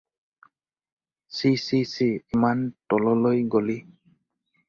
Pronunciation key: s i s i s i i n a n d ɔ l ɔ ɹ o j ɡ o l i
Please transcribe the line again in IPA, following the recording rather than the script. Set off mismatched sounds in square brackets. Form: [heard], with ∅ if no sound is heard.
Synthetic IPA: s i s i s i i [m] a n [t] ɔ l ɔ [l] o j ɡ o l i